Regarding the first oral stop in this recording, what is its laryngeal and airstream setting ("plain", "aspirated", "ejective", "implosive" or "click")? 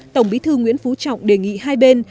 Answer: plain